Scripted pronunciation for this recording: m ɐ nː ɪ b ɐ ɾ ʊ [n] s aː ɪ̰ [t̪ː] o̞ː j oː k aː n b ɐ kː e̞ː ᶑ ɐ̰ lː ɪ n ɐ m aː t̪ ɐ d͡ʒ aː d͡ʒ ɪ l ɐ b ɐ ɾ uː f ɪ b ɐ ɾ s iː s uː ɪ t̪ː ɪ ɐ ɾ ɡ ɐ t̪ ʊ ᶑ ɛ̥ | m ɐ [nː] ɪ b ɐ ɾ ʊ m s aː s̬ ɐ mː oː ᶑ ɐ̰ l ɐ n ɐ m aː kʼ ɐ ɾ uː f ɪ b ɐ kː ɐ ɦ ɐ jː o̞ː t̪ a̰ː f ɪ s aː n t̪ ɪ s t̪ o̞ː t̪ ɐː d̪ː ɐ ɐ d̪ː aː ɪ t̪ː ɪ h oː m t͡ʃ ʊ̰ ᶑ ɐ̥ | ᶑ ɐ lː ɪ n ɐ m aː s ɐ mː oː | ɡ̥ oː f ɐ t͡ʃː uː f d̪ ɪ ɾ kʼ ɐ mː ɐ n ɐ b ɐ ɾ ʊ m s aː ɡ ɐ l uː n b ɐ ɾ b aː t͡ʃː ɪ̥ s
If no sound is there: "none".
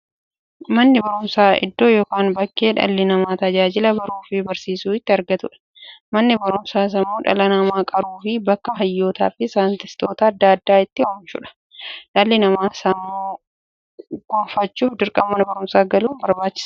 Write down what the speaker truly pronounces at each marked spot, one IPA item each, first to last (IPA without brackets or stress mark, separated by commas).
m, d̪ː, nː